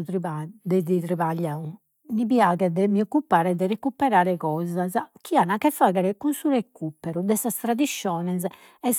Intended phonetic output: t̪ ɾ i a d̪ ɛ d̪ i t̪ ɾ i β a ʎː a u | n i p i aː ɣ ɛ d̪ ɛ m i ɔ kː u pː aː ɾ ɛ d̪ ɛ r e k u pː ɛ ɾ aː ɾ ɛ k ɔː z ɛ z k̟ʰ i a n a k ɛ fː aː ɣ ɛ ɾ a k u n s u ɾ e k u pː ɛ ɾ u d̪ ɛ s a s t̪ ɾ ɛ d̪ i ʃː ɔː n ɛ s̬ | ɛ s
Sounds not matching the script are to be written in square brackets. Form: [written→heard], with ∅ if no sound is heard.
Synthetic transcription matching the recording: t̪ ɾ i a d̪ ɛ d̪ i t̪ ɾ i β a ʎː a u | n i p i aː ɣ ɛ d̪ ɛ m i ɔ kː u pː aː ɾ ɛ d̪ ɛ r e k u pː ɛ ɾ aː ɾ ɛ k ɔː z [ɛ→a] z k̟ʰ i a n a k ɛ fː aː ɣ ɛ ɾ [a→ɛ] k u n s u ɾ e k u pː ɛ ɾ u d̪ ɛ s a s t̪ ɾ [ɛ→a] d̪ i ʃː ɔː n ɛ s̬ | ɛ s